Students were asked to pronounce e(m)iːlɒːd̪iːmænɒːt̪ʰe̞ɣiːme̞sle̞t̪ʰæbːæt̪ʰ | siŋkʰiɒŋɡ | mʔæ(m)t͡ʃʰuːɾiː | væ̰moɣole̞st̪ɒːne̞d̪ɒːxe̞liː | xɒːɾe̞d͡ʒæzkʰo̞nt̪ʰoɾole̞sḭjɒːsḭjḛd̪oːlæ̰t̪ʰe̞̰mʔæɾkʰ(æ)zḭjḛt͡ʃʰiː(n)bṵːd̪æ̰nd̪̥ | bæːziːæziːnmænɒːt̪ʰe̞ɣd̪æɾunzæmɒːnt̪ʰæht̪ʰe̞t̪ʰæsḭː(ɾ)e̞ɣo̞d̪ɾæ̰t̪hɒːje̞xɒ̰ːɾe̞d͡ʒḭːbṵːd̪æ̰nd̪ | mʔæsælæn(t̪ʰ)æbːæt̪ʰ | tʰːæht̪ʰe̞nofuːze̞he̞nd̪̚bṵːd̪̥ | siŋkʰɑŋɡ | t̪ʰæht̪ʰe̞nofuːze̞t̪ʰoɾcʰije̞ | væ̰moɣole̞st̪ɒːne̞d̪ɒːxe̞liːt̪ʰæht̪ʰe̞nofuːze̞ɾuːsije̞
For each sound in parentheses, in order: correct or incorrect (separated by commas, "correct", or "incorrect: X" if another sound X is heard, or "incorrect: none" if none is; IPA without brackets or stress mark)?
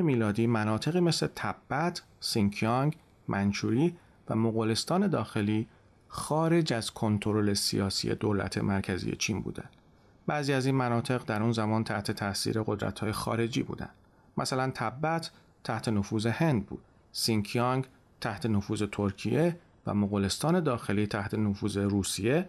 correct, incorrect: n, correct, correct, correct, correct